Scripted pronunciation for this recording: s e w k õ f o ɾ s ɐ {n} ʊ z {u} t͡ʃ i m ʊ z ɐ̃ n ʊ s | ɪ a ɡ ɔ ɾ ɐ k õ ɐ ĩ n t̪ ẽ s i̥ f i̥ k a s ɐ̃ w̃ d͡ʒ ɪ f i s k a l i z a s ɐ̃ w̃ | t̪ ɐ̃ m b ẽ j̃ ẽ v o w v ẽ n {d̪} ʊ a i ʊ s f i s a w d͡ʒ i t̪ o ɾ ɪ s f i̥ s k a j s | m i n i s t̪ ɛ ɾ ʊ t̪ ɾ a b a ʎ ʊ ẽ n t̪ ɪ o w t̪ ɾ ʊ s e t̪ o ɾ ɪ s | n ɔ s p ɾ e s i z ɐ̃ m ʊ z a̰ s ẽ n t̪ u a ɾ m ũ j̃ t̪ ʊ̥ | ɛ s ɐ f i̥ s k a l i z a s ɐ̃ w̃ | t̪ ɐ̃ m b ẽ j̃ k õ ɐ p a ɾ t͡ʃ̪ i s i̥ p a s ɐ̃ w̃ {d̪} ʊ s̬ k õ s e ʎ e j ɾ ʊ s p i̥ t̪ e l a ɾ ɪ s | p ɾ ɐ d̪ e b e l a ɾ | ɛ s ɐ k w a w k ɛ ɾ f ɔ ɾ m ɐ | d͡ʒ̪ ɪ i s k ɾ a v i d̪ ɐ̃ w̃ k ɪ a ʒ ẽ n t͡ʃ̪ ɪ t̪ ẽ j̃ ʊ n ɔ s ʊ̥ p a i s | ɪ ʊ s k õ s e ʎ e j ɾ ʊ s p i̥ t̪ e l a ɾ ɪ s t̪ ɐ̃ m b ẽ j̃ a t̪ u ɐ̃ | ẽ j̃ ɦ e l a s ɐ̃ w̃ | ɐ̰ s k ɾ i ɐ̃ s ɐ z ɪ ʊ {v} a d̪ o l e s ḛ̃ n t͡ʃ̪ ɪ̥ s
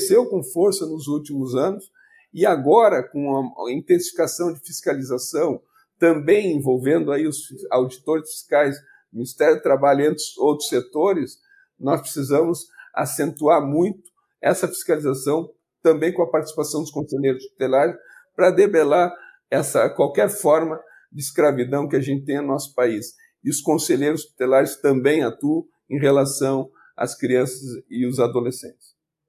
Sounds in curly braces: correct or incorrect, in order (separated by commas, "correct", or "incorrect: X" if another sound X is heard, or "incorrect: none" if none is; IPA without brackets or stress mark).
correct, correct, correct, correct, incorrect: z